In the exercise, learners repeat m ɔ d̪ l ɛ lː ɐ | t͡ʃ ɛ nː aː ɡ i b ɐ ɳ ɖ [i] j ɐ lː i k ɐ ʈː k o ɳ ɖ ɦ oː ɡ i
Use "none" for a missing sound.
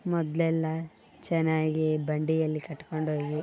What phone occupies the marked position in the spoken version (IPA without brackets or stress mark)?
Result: i